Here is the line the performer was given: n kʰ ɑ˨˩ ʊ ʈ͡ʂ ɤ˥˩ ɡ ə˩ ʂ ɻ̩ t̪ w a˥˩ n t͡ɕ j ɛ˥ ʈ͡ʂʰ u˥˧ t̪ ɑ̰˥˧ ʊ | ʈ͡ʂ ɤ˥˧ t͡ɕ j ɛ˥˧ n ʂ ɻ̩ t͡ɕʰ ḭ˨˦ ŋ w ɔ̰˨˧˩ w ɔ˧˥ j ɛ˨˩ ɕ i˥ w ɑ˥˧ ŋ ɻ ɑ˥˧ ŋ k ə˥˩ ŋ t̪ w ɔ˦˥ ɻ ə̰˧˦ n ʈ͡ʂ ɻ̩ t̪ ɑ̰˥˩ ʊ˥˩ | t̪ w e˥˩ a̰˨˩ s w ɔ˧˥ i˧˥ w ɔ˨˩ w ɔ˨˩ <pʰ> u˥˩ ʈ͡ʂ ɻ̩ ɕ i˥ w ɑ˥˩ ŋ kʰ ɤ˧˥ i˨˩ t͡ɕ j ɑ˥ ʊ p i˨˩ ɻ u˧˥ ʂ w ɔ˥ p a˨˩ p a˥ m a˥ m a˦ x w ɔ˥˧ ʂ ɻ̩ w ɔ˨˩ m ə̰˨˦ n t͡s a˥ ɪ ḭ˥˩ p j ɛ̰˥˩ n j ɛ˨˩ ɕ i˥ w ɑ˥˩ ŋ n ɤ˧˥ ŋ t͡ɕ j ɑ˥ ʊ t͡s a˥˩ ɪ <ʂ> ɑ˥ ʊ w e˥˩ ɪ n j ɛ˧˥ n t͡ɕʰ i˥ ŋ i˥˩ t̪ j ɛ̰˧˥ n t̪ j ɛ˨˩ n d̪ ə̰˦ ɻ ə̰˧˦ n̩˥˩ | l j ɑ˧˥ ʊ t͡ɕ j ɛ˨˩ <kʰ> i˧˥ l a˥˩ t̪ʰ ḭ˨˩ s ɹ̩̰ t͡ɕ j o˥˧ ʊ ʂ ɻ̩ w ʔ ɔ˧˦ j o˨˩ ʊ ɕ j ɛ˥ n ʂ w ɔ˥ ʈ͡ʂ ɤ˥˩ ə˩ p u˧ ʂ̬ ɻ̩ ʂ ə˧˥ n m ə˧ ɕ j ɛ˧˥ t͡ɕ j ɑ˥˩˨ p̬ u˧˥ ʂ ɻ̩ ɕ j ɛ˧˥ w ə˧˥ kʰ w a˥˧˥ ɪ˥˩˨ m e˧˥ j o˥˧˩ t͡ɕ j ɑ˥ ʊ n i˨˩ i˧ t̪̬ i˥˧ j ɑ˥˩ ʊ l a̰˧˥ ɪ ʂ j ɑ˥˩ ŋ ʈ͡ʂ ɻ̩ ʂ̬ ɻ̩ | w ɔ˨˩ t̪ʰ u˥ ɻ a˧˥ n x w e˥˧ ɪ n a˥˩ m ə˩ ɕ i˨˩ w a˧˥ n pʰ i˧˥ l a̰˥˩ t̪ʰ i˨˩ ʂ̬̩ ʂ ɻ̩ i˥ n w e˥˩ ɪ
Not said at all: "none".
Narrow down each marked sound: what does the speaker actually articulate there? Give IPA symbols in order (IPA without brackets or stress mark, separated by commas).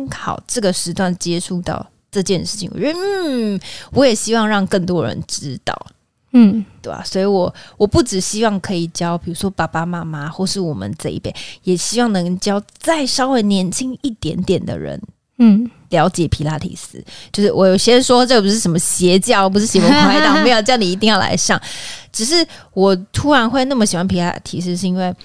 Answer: p, ʂ, pʰ